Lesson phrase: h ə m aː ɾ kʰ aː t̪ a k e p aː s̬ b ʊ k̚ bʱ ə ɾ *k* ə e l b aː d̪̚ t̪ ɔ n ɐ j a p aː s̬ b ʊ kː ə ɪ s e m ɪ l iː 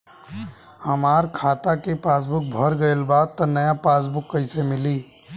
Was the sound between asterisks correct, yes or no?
no